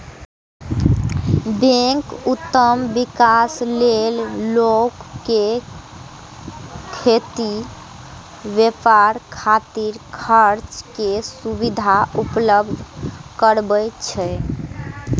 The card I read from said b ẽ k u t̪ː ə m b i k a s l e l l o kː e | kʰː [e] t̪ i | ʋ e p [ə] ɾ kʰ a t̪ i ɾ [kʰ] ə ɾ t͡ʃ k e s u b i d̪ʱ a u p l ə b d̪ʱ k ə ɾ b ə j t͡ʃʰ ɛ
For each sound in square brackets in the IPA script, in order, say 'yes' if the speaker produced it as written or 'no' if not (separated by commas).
yes, no, yes